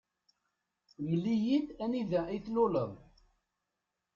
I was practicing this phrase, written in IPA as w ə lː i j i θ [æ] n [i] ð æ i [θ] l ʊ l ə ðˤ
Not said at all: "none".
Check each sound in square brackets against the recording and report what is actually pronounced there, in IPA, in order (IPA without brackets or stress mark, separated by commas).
æ, i, θ